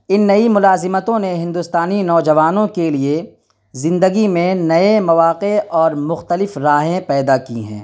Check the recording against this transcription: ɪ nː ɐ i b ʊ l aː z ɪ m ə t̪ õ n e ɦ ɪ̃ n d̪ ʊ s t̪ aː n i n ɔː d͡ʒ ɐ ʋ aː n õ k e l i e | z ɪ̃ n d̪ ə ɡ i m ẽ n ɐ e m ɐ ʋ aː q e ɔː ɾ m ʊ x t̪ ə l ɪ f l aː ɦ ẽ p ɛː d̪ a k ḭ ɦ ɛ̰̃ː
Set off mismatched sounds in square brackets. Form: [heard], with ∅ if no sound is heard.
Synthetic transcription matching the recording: ɪ nː ɐ i [m] ʊ l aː z ɪ m ə t̪ õ n e ɦ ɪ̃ n d̪ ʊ s t̪ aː n i n ɔː d͡ʒ ɐ ʋ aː n õ k e l i e | z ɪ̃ n d̪ ə ɡ i m ẽ n ɐ e m ɐ ʋ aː q e ɔː ɾ m ʊ x t̪ ə l ɪ f [ɾ] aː ɦ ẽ p ɛː d̪ a k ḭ ɦ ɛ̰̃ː